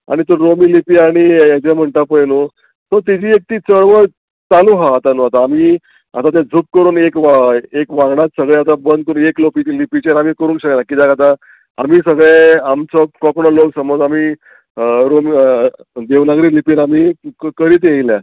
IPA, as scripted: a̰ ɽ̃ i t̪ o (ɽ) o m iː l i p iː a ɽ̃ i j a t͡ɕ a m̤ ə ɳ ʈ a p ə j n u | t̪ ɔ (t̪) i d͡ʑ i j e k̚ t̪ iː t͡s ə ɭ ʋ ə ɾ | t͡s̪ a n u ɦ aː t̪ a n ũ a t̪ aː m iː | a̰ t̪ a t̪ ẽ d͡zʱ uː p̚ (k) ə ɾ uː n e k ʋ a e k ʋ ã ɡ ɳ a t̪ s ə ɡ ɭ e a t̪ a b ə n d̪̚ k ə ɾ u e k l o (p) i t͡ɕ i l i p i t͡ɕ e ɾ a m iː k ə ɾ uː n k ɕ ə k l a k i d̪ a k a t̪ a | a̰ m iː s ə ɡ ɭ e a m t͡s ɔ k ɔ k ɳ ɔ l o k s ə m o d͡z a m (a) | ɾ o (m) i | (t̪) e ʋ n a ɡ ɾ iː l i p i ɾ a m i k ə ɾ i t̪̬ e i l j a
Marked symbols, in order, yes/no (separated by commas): no, yes, yes, yes, no, yes, no